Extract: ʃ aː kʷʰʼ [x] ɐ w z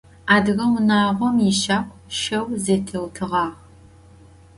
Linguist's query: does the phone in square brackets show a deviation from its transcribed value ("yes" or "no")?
yes